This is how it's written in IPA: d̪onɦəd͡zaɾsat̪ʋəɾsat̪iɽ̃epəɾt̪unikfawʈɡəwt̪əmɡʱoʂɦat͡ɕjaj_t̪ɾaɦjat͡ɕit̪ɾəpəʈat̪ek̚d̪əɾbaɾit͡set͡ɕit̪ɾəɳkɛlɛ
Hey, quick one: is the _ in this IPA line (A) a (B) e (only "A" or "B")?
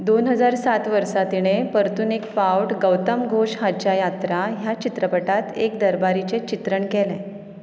A